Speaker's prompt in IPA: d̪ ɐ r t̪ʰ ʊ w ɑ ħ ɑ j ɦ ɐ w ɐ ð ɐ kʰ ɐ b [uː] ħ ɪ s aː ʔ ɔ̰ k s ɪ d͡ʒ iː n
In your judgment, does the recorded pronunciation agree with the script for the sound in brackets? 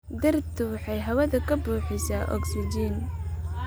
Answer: yes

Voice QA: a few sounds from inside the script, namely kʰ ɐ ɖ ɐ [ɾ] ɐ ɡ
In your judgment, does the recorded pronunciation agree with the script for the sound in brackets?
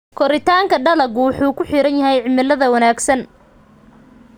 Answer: no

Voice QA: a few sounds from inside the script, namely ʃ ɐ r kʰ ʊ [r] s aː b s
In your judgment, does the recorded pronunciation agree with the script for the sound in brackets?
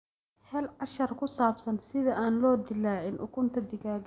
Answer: no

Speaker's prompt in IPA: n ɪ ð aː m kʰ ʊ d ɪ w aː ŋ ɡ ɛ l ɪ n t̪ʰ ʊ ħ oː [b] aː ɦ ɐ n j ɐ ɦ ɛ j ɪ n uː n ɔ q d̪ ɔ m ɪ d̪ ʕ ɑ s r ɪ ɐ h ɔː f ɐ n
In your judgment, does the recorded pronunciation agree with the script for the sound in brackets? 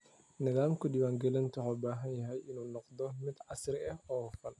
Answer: yes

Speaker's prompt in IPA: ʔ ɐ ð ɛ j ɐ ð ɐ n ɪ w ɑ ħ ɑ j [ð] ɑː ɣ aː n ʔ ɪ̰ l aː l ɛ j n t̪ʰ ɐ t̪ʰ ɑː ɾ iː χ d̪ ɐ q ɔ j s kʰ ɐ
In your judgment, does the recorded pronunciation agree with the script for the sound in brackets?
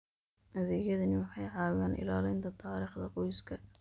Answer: no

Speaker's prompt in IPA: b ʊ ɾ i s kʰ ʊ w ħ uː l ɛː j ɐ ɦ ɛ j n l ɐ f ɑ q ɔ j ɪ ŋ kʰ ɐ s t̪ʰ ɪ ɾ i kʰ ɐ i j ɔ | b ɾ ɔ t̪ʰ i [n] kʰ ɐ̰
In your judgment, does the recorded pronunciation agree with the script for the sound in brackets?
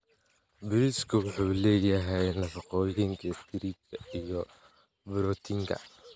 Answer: no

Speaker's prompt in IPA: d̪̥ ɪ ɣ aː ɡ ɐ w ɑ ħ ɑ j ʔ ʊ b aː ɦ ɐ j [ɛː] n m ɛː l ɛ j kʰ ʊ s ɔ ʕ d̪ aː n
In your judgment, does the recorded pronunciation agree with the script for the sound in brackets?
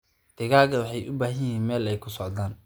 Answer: no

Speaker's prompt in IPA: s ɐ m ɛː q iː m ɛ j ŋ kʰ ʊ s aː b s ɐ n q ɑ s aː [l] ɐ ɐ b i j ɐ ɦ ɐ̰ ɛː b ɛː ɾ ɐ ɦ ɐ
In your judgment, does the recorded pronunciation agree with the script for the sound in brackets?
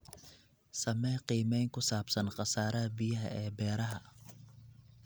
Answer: no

